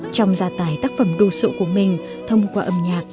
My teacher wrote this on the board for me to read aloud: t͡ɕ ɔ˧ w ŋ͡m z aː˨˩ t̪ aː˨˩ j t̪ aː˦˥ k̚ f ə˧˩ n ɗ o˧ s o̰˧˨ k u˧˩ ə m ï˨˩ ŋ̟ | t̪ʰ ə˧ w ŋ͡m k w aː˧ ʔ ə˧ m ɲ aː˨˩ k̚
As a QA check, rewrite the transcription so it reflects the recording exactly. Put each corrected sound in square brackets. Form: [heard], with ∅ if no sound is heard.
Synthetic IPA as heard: t͡ɕ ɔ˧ w ŋ͡m z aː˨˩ t̪ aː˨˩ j t̪ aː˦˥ k̚ f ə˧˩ [m] ɗ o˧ s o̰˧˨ k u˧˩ ə m ï˨˩ ŋ̟ | t̪ʰ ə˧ w ŋ͡m k w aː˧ ʔ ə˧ m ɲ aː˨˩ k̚